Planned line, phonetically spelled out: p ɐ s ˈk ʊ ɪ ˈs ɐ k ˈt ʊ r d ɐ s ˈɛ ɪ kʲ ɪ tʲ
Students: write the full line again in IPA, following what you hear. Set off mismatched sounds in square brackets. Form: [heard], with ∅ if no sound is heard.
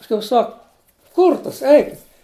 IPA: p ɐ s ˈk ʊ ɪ ˈs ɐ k [ˈk] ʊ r [t] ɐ s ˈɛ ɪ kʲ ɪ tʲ

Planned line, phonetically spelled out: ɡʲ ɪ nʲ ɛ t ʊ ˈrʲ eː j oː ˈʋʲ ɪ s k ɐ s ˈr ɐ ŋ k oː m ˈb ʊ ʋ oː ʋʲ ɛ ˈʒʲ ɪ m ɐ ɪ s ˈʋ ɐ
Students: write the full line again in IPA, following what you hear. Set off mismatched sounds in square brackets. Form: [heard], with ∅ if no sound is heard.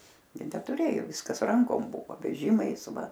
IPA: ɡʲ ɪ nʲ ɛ t ʊ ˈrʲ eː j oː ˈʋʲ ɪ s k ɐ s ˈr ɐ ŋ k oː m ˈb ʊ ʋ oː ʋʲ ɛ ˈʒʲ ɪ m ɐ ɪ s ˈʋ ɐ

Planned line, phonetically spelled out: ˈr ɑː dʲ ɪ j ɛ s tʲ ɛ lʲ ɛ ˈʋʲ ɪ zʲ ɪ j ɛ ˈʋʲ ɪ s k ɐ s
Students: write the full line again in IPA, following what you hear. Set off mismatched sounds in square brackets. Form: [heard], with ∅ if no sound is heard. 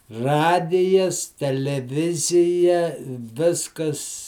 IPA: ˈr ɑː dʲ ɪ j ɛ s tʲ ɛ lʲ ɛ ˈʋʲ ɪ zʲ ɪ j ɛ ˈʋʲ ɪ s k ɐ s

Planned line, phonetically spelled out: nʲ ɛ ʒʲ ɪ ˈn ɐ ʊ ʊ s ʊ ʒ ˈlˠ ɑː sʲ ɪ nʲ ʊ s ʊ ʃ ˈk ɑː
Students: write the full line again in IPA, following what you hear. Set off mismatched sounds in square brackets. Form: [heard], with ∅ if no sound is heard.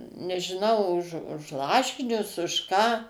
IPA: nʲ ɛ ʒʲ ɪ ˈn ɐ ʊ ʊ [ʃ] ʊ [ʃ] ˈlˠ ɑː [ʃʲ] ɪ nʲ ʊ s ʊ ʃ ˈk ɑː

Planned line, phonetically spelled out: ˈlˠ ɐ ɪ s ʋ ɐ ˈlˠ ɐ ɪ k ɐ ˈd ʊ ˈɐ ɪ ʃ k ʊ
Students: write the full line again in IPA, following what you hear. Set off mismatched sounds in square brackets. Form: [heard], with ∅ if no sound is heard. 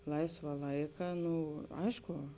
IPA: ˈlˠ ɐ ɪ s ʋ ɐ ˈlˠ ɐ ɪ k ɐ [ˈn] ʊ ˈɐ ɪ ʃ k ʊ

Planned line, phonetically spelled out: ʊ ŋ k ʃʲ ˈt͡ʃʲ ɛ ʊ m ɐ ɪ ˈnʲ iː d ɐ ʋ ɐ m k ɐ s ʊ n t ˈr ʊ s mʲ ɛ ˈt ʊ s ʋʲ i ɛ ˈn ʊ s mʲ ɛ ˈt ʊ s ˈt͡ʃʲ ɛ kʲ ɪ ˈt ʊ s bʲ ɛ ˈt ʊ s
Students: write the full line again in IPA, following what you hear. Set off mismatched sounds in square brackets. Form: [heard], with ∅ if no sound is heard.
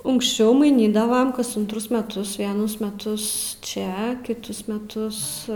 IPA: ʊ ŋ k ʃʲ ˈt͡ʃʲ ɛ ʊ m ɐ ɪ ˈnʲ iː d ɐ ʋ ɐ m k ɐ s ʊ n t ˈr ʊ s mʲ ɛ ˈt ʊ s ʋʲ i ɛ ˈn ʊ s mʲ ɛ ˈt ʊ s ˈt͡ʃʲ ɛ kʲ ɪ ˈt ʊ s [mʲ] ɛ ˈt ʊ s

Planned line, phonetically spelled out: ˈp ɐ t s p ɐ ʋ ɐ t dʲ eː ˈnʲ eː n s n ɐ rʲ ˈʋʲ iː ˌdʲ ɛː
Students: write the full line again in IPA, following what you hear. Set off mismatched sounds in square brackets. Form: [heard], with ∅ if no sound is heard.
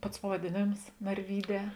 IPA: ˈp ɐ t s p ɐ ʋ ɐ [∅] dʲ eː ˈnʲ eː [m] s n ɐ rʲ ˈʋʲ iː ˌdʲ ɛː

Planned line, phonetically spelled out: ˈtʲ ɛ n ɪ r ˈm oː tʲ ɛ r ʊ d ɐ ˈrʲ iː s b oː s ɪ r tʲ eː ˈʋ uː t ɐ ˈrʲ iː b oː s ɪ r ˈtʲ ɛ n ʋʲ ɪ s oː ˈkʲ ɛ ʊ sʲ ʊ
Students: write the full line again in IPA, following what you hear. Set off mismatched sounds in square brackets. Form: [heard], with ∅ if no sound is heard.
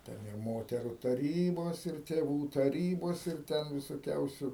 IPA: ˈtʲ ɛ n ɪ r ˈm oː tʲ ɛ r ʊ [t] ɐ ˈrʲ iː [∅] b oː s ɪ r tʲ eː ˈʋ uː t ɐ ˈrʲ iː b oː s ɪ r ˈtʲ ɛ n ʋʲ ɪ s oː ˈkʲ ɛ ʊ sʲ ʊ

